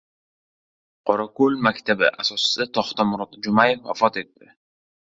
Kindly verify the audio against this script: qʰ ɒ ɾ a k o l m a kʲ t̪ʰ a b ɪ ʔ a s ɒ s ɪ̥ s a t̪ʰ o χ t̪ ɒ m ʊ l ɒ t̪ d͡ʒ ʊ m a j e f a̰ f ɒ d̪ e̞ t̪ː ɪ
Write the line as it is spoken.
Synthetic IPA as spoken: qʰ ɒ ɾ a k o l m a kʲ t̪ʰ a b ɪ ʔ a s ɒ s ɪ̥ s a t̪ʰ ɒ χ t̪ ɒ m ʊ ɾ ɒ t̪ d͡ʒ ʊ m a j e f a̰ f ɒ t̪ e̞ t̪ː ɪ